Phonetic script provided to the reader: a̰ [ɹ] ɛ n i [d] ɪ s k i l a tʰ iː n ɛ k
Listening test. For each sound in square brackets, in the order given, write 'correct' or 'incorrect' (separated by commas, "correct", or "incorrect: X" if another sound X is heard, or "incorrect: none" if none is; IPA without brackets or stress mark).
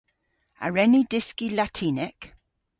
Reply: correct, correct